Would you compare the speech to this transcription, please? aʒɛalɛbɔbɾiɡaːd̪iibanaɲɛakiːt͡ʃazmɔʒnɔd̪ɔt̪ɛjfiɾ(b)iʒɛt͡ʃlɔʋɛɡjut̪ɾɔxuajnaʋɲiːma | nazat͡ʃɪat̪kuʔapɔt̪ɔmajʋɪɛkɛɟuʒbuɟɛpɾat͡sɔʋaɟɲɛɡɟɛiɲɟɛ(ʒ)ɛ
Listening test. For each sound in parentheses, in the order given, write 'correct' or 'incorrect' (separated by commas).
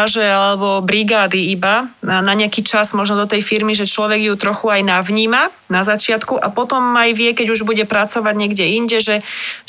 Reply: incorrect, correct